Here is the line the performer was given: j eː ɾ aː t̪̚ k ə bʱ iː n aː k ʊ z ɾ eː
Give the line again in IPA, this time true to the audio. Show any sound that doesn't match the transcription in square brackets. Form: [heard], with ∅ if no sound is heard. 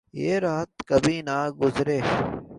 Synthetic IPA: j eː ɾ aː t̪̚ k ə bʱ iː n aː [ɡ] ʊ z ɾ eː

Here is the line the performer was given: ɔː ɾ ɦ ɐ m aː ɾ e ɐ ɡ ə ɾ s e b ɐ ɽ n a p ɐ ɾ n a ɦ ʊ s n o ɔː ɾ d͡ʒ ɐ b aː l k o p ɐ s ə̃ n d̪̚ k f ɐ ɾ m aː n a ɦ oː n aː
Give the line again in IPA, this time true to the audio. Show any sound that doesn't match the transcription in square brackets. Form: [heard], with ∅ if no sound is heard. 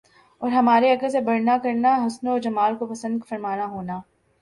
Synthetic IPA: ɔː ɾ ɦ ɐ m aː ɾ e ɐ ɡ ə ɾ s e b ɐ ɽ n a [k] ɐ ɾ n a ɦ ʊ s n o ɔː ɾ d͡ʒ ɐ [m] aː l k o p ɐ s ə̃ n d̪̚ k f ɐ ɾ m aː n a ɦ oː n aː

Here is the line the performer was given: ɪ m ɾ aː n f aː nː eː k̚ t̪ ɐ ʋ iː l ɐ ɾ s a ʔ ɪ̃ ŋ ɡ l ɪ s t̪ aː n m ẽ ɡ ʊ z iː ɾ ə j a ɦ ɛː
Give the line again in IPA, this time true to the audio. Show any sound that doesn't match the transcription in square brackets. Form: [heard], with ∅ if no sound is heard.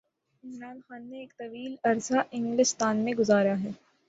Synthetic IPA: ɪ m ɾ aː n [x] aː nː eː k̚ t̪ ɐ ʋ iː l ɐ ɾ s a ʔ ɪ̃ ŋ ɡ l ɪ s t̪ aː n m ẽ ɡ ʊ z [aː] ɾ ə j a ɦ ɛː

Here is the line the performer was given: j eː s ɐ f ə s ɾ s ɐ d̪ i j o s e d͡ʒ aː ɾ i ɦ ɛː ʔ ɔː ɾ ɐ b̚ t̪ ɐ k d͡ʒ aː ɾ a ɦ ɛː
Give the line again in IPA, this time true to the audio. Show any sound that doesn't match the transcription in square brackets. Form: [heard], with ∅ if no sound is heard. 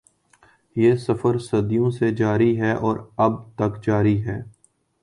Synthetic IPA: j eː s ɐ f ə [∅] ɾ s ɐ d̪ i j [õ] s e d͡ʒ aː ɾ i ɦ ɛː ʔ ɔː ɾ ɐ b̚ t̪ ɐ k d͡ʒ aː ɾ [i] ɦ ɛː

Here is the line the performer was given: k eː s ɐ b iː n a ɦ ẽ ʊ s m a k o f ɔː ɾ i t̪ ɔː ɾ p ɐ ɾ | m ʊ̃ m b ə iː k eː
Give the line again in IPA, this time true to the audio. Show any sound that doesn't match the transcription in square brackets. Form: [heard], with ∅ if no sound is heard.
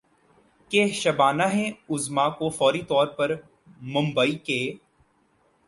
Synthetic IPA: k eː [ʃ] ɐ b [aː] n a ɦ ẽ ʊ [z] m a k o f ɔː ɾ i t̪ ɔː ɾ p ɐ ɾ | m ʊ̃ m b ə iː k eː

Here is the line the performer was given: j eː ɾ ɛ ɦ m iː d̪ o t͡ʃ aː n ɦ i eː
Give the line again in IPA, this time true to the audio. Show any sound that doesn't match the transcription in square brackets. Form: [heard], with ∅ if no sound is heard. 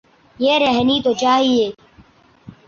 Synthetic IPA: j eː ɾ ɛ ɦ [n] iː [t̪] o t͡ʃ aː [∅] ɦ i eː

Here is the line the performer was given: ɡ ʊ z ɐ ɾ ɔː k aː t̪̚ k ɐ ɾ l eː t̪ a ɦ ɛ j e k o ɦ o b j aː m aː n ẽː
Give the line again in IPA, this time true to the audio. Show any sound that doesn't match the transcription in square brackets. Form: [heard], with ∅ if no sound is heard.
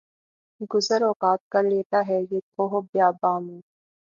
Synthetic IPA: ɡ ʊ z [ə] ɾ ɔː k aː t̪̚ k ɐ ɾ l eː t̪ a ɦ ɛ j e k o ɦ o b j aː [b] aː [m] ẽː

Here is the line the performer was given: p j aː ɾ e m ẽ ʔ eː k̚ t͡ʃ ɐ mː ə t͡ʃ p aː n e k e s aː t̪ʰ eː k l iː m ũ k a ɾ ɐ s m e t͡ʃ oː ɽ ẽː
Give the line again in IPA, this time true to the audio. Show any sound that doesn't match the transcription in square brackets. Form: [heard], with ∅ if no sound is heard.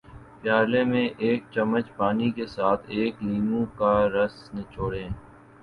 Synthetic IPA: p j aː [l] e m ẽ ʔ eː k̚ t͡ʃ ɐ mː ə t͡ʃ p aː n [i] k e s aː t̪ʰ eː k l iː m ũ k a ɾ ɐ s [n] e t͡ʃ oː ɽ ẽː

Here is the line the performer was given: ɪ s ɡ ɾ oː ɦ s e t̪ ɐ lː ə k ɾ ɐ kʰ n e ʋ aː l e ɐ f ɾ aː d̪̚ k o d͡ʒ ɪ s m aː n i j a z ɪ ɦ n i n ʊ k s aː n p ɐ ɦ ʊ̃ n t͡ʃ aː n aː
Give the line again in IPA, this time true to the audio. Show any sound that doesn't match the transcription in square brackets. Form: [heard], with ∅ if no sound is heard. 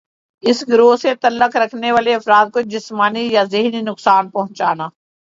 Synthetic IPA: ɪ s ɡ ɾ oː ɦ s e t̪ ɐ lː ə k ɾ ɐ kʰ n e ʋ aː l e ɐ f ɾ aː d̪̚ k o d͡ʒ ɪ s m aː n i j a z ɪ ɦ n i n ʊ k s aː n p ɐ ɦ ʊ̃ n t͡ʃ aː n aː

